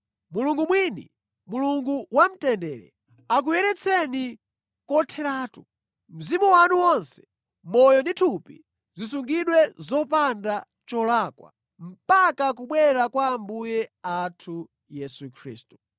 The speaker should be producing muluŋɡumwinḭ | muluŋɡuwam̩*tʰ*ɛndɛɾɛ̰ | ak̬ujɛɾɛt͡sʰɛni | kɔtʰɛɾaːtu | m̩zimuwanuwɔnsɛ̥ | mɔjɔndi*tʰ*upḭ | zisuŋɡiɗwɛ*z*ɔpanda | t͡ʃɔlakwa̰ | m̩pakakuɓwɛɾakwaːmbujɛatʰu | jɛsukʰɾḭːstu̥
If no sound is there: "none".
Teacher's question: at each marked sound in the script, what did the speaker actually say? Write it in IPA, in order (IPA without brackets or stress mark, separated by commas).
t, tʰ, z